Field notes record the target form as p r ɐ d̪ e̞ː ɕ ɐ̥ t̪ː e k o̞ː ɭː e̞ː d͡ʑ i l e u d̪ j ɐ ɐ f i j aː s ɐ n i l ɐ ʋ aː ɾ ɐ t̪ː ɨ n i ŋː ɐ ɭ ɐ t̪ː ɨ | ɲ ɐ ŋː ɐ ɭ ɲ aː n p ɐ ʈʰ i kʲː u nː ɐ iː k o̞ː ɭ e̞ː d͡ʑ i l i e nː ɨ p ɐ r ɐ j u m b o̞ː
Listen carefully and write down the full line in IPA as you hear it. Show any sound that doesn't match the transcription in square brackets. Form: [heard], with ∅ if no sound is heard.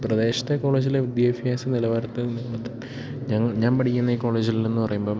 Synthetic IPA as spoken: p r ɐ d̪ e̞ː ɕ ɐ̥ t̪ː e k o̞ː [ɭ] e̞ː d͡ʑ i l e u d̪ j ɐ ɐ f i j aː s ɐ n i l ɐ ʋ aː ɾ ɐ t̪ː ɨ n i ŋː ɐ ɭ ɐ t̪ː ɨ | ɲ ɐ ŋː ɐ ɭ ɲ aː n p ɐ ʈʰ i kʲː u nː ɐ iː k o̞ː ɭ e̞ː d͡ʑ i l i e nː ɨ p ɐ r ɐ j u m b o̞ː